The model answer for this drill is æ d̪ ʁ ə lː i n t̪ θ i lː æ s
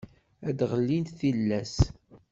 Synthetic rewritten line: æ d̪ ʁ ə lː i n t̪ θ i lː æ s